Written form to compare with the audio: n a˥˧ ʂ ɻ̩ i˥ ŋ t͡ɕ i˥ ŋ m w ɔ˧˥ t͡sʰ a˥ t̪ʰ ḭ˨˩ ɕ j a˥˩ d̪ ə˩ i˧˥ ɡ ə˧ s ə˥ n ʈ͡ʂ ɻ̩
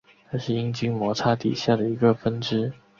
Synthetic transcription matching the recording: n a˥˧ ʂ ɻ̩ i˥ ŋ t͡ɕ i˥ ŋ m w ɔ˧˥ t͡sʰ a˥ t̪ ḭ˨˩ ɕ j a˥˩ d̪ ə˩ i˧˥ ɡ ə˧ f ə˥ n ʈ͡ʂ ɻ̩